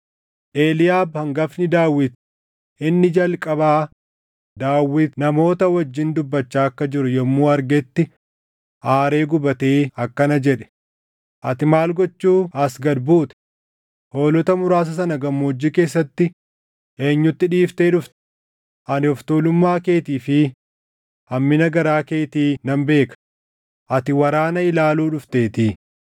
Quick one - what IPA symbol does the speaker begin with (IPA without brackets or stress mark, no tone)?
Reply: ʔ